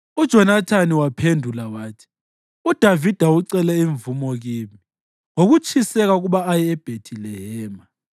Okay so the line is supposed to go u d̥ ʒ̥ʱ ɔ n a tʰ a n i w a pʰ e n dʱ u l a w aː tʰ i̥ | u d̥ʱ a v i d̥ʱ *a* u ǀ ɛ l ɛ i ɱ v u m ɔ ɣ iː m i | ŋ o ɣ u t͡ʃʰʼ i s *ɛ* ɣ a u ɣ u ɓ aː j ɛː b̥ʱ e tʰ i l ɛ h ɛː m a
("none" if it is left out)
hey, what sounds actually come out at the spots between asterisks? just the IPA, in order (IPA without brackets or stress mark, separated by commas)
a, ɛ